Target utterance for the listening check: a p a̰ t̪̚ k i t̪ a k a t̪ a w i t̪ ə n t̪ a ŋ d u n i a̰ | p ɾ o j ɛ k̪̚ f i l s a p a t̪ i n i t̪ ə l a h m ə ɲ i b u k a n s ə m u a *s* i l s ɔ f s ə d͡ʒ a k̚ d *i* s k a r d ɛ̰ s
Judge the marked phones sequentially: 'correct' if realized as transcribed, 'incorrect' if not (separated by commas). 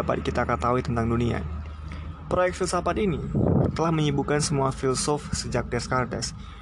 incorrect, incorrect